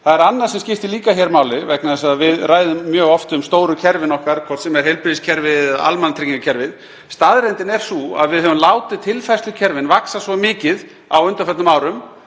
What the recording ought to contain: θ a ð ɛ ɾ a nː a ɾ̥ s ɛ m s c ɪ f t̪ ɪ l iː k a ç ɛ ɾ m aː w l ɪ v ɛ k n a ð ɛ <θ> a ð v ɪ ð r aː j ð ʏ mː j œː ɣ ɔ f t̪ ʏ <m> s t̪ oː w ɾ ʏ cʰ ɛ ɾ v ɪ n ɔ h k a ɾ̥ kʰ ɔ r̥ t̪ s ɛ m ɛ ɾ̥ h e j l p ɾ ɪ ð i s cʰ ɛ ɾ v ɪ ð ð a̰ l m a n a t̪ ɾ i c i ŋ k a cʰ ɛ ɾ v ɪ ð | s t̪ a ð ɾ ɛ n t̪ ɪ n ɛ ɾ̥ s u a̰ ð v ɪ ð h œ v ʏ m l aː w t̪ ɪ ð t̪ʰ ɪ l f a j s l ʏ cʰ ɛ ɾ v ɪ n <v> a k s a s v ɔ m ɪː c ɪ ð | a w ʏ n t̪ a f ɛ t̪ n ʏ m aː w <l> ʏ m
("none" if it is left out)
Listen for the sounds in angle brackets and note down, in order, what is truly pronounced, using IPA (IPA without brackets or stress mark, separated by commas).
s, m, v, ɾ